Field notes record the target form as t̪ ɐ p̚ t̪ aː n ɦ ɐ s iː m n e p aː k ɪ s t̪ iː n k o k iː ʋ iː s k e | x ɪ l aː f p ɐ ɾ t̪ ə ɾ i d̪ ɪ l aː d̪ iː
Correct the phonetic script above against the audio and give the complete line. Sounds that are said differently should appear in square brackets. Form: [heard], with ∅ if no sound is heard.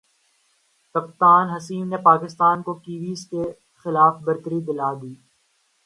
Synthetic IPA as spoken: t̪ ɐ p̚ t̪ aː n ɦ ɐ s iː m n e p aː k ɪ s t̪ [aː] n k o k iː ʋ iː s k e | x ɪ l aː f [b] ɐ ɾ t̪ ə ɾ i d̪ ɪ l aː d̪ iː